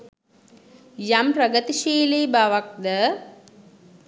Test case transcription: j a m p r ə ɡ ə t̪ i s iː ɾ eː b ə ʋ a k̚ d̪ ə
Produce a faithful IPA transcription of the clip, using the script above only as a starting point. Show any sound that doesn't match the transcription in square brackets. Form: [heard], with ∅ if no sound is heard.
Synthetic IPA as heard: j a m p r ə ɡ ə t̪ i [ʃ] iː [l] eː b [a] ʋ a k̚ d̪ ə